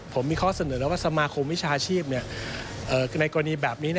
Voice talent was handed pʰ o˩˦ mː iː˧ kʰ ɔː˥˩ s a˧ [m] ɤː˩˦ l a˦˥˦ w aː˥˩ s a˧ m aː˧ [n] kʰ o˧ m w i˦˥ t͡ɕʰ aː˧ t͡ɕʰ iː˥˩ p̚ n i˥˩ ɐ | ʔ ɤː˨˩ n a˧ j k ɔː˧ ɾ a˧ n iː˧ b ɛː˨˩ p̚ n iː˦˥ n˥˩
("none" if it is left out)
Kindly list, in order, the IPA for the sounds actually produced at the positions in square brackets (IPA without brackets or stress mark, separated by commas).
n, none